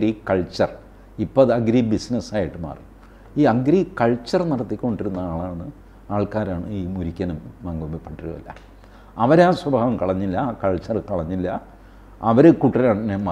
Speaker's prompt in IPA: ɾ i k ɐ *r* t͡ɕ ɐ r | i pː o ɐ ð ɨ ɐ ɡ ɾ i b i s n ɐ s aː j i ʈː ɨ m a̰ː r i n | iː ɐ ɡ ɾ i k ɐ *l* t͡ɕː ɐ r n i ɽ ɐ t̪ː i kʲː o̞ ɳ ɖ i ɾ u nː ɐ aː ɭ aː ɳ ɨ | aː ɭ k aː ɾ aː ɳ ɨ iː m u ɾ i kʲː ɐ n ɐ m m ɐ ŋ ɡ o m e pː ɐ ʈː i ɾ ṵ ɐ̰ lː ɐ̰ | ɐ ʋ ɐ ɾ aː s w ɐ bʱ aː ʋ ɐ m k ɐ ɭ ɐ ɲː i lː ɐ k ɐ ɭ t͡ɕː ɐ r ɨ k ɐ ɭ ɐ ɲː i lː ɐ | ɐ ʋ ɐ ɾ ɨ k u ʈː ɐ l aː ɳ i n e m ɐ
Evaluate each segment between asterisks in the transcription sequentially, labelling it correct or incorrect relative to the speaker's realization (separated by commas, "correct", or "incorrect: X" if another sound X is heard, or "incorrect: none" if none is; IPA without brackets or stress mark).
incorrect: ɭ, incorrect: ɭ